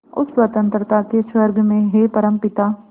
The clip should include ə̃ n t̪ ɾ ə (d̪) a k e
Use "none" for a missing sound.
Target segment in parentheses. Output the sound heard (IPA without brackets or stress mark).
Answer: t̪